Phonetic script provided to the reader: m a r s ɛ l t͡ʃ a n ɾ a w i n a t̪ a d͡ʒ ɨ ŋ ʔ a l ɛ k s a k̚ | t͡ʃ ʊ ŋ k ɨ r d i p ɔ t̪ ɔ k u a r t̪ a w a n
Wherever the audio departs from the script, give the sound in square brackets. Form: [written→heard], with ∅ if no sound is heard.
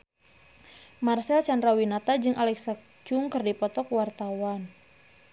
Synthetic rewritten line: m a r s ɛ l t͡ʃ a n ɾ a w i n a t̪ a d͡ʒ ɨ ŋ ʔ a l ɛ k s a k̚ | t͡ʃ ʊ ŋ k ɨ r d i p ɔ t̪ ɔ k [u→w] a r t̪ a w a n

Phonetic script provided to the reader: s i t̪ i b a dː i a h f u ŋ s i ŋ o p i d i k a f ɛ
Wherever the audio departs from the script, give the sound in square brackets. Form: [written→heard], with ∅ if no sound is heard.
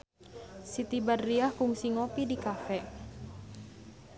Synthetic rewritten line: s i t̪ i b a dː i a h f u ŋ s i ŋ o p i d i k a f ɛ

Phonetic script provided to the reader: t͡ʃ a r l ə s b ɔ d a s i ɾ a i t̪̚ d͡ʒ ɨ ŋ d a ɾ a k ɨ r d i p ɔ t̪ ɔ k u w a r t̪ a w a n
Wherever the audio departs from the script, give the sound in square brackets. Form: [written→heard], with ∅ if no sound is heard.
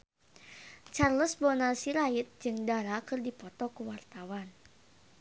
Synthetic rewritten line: t͡ʃ a r l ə s b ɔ [d→n] a s i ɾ a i t̪̚ d͡ʒ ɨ ŋ d a ɾ a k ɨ r d i p ɔ t̪ ɔ k u w a r t̪ a w a n

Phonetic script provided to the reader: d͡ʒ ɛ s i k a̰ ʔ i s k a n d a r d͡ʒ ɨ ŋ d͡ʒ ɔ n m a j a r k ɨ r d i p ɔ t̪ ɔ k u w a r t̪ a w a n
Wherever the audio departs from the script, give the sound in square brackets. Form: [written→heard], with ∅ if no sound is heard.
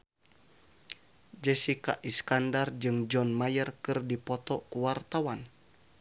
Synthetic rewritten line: d͡ʒ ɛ s i k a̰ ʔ i s k a n d a r d͡ʒ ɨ ŋ d͡ʒ ɔ n m a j [a→ə] r k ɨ r d i p ɔ t̪ ɔ k u w a r t̪ a w a n

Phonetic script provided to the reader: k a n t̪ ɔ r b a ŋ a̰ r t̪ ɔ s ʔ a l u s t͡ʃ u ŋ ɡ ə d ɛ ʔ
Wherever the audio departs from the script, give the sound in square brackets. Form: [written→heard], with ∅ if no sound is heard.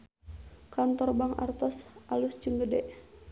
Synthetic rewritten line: k a n t̪ ɔ r b a ŋ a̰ r t̪ ɔ s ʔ a l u s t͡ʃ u ŋ ɡ ə d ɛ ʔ

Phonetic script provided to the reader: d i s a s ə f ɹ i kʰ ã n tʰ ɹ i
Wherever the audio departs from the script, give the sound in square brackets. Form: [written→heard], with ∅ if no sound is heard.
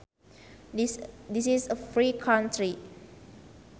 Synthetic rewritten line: d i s [a→i] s ə f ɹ i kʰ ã n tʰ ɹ i

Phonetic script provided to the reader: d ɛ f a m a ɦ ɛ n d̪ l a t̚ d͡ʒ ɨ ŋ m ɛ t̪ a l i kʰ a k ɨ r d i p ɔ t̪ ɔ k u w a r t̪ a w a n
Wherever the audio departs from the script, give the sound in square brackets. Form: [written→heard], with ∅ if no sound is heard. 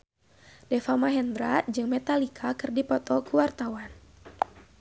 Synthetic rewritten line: d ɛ f a m a ɦ ɛ n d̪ [l→ɾ] a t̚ d͡ʒ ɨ ŋ m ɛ t̪ a l i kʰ a k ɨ r d i p ɔ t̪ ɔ k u w a r t̪ a w a n

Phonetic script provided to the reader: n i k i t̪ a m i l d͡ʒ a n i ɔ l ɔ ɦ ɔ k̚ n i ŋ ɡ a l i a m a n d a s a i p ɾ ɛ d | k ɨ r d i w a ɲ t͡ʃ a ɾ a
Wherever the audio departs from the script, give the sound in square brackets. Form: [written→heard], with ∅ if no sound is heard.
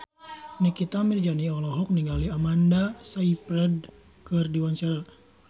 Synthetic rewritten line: n i k i t̪ a m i [l→r] d͡ʒ a n i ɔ l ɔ ɦ ɔ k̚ n i ŋ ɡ a l i a m a n d a s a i p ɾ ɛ d | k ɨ r d i w a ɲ t͡ʃ a ɾ a

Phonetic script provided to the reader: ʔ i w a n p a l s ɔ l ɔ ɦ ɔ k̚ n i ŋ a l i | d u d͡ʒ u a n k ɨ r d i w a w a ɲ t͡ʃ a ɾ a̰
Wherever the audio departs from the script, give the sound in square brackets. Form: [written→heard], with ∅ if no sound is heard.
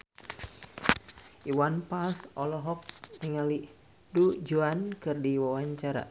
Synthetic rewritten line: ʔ i w a n p a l s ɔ l ɔ ɦ ɔ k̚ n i ŋ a l i | d u d͡ʒ u a n k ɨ r d i w a w a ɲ t͡ʃ a ɾ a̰

